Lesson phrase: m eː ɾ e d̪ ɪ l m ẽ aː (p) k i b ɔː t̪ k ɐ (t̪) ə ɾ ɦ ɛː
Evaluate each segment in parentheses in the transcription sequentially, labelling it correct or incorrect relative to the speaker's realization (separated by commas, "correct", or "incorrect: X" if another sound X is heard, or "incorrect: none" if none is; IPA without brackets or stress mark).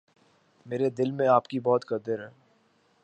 correct, incorrect: d̪